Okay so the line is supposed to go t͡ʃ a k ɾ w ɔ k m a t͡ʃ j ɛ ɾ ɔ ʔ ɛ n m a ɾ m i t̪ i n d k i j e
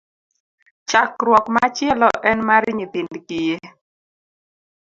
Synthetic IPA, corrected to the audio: t͡ʃ a k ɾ w ɔ k m a t͡ʃ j ɛ l ɔ ʔ ɛ n m a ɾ ɲ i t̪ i n d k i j e